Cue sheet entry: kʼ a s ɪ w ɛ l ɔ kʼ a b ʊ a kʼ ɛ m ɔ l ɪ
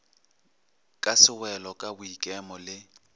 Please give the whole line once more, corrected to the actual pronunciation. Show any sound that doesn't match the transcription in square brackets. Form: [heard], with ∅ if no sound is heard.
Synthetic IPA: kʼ a s ɪ w ɛ l ɔ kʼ a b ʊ [i] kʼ ɛ m ɔ l ɪ

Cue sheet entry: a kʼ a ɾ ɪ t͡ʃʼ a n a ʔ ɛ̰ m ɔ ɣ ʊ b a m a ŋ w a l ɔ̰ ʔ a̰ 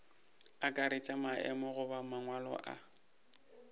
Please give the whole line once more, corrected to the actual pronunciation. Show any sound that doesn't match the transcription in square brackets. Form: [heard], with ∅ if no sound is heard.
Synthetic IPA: a kʼ a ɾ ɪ t͡ʃʼ a [m] a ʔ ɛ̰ m ɔ ɣ ʊ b a m a ŋ w a l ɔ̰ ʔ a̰

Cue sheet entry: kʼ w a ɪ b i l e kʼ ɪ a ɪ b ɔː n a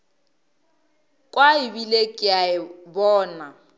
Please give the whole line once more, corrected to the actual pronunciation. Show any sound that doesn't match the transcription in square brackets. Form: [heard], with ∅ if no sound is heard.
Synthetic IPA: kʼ w a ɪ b i l e kʼ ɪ a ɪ b ɔː n a

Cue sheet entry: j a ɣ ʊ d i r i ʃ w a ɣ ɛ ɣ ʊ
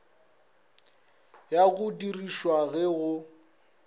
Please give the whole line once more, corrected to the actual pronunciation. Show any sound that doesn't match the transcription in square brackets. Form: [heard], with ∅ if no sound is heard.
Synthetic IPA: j a ɣ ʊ d i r i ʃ w a ɣ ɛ ɣ ʊ

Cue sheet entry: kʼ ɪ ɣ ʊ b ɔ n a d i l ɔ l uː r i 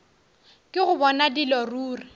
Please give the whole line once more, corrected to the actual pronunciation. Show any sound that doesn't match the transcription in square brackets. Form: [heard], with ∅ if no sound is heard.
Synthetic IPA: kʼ ɪ ɣ ʊ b ɔ n a d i l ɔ [r] uː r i

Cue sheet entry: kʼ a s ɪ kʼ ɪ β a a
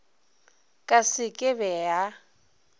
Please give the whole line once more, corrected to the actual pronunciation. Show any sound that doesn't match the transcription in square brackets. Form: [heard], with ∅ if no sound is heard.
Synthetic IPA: kʼ a s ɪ kʼ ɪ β [ɛ] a

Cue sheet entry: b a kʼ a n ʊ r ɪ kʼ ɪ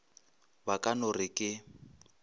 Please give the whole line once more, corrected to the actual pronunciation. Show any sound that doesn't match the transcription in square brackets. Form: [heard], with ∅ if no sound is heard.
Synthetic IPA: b a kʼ a n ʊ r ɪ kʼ ɪ

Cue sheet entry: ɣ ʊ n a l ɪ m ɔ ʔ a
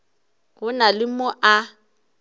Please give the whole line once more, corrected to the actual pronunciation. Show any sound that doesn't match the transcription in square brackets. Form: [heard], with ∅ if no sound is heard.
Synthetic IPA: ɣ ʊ n a l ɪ m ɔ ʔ a

